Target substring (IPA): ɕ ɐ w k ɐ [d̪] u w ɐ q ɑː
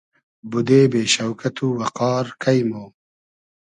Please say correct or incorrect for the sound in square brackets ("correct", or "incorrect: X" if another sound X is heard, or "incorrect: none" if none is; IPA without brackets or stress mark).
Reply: incorrect: t̪